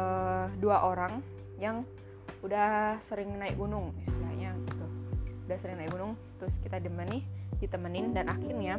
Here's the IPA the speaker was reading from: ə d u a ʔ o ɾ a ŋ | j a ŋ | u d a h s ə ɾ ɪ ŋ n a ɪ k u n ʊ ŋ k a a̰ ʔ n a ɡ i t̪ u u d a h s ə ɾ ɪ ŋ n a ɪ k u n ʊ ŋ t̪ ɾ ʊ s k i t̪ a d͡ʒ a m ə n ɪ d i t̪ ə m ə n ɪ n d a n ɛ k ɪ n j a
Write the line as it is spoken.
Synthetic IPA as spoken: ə d u a ʔ o ɾ a ŋ | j a ŋ | u d a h s ə ɾ ɪ ŋ n a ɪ k u n ʊ ŋ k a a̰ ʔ ɲ a ɡ i t̪ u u d a h s ə ɾ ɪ ŋ n a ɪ k u n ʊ ŋ t̪ ɾ ʊ s k i t̪ a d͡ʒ ə m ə n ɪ d i t̪ ə m ə n ɪ n d a n a k ɪ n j a